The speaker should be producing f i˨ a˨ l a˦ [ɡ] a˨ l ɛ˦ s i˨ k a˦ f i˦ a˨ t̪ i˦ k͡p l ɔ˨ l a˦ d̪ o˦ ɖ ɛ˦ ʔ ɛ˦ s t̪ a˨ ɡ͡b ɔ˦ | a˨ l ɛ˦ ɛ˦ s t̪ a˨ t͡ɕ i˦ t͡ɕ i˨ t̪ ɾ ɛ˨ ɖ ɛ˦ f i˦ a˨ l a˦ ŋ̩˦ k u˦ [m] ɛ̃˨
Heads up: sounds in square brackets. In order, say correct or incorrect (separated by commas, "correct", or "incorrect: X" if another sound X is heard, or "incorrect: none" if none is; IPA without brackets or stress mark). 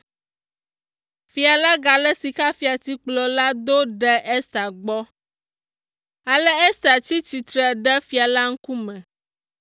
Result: correct, correct